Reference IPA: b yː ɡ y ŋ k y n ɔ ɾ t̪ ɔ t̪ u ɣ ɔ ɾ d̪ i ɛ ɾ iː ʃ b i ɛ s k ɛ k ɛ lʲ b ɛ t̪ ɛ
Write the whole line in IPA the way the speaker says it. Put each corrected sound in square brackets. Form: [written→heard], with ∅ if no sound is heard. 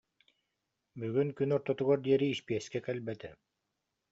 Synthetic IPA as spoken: b [yː→y] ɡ y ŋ k y n ɔ ɾ t̪ ɔ t̪ u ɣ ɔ ɾ d̪ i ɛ ɾ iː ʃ [b→p] i ɛ s k ɛ k ɛ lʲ b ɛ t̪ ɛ